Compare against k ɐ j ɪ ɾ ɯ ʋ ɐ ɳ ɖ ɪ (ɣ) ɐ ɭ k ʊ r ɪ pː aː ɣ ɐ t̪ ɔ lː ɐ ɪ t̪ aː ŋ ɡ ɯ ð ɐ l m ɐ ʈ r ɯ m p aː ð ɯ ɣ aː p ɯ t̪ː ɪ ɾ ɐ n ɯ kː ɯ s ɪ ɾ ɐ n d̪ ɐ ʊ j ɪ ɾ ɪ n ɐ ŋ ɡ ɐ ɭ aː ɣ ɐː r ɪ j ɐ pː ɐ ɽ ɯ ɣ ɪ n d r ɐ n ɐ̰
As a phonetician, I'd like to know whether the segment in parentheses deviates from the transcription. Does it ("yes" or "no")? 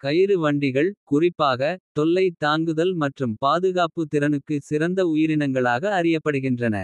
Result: no